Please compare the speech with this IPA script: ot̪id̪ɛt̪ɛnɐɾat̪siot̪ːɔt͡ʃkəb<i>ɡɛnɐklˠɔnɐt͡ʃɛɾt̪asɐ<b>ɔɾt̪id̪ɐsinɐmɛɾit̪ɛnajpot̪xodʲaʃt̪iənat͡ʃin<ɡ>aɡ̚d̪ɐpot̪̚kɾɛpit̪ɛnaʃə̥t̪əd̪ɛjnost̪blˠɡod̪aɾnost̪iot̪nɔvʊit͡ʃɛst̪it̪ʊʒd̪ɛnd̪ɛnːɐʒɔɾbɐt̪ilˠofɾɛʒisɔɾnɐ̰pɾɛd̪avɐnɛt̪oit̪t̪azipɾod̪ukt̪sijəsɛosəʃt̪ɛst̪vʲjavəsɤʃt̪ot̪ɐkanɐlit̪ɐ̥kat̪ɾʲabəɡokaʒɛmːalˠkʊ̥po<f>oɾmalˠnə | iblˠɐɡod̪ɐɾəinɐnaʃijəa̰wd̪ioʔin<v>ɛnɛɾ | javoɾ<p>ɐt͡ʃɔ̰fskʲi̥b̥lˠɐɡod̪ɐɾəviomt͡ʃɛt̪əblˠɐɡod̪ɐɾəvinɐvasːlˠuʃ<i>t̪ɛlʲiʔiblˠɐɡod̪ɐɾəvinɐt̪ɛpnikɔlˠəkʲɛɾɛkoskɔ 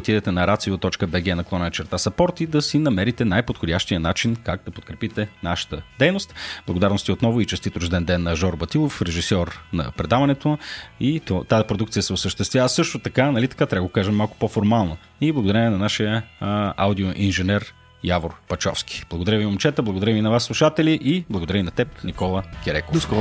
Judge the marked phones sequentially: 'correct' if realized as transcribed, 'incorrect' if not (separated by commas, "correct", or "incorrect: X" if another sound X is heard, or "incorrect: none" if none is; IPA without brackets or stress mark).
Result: incorrect: ɛ, incorrect: p, incorrect: k, correct, incorrect: ʒ, correct, incorrect: a